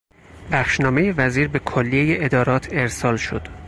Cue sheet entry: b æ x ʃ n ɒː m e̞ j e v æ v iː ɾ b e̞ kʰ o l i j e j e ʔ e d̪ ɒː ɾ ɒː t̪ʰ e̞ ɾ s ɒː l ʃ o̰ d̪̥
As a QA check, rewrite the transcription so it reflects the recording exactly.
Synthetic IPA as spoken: b æ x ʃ n ɒː m e̞ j e v æ z iː ɾ b e̞ kʰ o lː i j e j e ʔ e d̪ ɒː ɾ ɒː t̪ʰ e̞ ɾ s ɒː l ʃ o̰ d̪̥